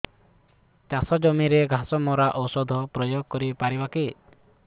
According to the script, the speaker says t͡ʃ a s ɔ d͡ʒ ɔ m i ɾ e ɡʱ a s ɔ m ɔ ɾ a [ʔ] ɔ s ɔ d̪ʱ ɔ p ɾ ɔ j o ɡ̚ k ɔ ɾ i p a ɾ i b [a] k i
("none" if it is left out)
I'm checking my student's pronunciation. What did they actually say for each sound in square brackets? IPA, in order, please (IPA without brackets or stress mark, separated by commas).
ʔ, a